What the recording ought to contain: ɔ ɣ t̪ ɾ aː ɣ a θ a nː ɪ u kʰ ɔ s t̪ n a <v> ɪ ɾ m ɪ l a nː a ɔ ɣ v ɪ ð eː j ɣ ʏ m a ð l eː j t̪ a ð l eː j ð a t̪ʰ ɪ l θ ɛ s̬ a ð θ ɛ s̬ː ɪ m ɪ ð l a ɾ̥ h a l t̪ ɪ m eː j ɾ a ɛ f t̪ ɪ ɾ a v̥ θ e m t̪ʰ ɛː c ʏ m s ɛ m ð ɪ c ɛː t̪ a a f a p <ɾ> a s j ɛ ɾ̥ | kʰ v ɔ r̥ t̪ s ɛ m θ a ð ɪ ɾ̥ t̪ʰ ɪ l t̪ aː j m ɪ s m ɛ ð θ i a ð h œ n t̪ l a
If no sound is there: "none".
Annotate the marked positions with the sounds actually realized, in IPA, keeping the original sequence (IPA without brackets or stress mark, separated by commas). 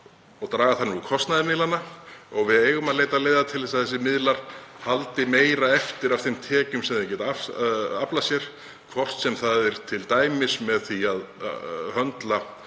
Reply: ð, l